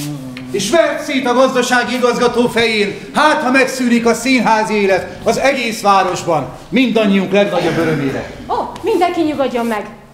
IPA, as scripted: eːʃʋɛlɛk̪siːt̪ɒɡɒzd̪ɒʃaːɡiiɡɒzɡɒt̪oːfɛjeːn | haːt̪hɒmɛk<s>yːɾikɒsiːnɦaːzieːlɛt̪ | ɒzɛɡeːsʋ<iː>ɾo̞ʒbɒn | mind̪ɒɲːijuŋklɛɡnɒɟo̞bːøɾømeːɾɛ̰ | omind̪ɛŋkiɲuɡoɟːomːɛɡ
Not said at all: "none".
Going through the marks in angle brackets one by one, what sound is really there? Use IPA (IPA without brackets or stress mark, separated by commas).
s, aː